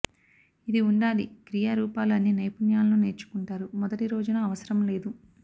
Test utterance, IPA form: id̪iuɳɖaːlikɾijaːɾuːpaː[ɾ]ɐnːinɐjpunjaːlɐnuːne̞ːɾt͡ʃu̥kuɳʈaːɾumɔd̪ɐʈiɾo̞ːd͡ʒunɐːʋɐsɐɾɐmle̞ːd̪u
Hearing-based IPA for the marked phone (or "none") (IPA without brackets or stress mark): l